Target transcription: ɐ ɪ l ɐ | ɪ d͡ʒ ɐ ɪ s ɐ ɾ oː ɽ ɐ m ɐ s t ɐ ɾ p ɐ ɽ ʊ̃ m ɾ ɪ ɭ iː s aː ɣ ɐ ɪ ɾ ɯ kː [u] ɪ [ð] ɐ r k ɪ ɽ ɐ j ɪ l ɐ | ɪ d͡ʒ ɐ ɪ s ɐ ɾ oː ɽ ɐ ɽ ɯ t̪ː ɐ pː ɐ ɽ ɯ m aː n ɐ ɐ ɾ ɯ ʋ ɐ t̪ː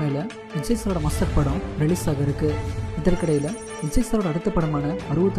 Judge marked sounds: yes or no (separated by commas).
no, yes